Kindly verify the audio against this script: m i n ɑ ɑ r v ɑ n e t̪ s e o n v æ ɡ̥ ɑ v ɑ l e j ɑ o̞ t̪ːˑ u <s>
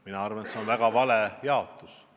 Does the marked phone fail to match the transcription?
no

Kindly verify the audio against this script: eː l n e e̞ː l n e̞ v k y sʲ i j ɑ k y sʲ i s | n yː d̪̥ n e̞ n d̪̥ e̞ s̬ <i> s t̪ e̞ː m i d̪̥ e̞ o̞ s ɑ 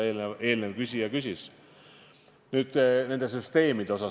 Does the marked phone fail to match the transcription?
yes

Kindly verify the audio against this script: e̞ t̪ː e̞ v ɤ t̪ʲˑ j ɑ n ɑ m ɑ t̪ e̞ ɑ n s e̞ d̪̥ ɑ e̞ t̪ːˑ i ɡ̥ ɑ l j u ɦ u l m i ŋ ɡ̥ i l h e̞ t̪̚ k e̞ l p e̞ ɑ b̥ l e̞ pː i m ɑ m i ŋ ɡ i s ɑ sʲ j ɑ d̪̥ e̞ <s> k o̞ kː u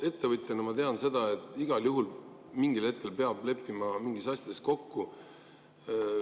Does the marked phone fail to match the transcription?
no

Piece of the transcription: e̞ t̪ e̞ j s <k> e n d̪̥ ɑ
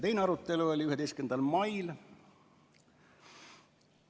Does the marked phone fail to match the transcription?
no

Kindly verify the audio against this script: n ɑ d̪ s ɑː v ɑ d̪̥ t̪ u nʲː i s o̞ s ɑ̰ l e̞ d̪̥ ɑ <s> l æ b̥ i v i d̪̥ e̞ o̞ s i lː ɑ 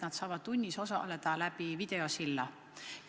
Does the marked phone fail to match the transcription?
yes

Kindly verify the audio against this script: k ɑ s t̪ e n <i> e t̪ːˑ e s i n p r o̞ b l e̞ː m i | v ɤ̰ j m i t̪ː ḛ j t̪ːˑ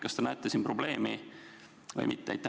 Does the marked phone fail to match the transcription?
yes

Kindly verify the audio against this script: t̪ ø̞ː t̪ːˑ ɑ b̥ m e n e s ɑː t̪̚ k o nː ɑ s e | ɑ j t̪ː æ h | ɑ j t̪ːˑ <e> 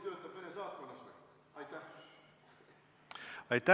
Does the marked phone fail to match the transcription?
yes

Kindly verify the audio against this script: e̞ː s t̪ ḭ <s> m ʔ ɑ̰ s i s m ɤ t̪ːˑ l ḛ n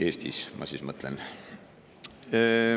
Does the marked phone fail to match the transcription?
no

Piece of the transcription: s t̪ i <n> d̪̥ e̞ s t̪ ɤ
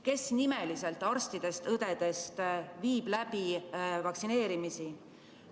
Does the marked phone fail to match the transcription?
yes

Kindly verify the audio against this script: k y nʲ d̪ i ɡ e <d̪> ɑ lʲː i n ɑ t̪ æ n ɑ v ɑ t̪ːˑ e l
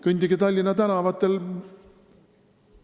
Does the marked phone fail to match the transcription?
yes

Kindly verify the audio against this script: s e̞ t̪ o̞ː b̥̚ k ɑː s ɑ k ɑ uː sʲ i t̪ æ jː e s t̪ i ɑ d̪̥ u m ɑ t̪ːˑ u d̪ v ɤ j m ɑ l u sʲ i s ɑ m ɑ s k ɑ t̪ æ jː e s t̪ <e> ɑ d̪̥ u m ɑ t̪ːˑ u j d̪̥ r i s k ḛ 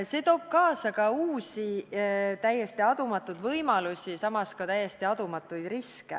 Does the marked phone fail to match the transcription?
yes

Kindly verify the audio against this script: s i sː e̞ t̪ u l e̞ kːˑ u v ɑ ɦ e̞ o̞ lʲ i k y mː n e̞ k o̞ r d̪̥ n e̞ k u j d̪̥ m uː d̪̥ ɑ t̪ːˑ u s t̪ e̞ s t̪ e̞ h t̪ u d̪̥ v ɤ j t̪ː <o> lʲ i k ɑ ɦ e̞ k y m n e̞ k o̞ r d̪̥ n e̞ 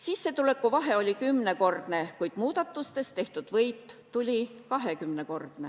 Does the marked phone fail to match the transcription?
yes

